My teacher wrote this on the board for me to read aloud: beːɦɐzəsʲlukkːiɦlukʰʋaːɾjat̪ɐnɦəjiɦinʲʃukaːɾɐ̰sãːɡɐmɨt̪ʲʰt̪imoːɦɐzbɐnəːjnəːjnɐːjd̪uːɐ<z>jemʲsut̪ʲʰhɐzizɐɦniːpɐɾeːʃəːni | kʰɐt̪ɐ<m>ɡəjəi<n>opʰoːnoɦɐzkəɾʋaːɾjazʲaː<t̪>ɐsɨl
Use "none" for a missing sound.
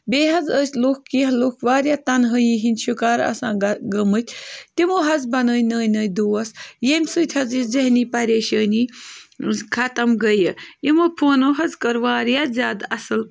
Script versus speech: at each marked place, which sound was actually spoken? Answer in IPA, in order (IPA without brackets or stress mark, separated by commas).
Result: s, m, m, d̪